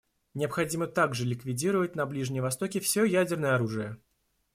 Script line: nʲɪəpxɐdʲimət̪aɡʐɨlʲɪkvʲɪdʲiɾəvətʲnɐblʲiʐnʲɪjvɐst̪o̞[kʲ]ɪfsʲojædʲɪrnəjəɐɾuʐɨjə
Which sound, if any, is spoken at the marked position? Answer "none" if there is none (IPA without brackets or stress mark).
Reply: kʲ